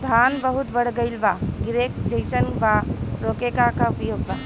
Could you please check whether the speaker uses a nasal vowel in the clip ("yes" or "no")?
no